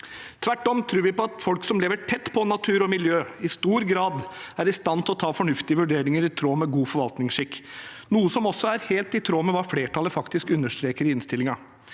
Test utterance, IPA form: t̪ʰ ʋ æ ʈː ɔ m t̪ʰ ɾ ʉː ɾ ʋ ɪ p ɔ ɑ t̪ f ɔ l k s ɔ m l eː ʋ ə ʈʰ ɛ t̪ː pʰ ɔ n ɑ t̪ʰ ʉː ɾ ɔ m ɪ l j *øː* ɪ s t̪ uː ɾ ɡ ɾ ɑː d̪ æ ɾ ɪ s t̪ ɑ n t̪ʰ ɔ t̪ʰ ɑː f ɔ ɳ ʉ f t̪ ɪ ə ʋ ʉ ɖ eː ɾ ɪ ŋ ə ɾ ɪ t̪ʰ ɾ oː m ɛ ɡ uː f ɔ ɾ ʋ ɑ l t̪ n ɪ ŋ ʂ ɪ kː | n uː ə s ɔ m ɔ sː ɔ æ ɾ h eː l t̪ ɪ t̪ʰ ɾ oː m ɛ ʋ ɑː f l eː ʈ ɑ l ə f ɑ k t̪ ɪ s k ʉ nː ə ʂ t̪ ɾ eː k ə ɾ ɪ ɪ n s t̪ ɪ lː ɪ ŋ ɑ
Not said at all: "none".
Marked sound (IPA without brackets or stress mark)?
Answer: øː